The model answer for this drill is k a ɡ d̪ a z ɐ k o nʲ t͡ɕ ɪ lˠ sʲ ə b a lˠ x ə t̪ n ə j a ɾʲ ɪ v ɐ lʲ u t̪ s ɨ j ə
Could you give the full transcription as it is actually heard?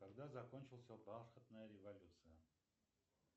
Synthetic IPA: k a ɡ d̪ a z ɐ k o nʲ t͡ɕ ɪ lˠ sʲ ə b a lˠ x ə t̪ n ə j ə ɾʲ ɪ v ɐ lʲ u t̪ s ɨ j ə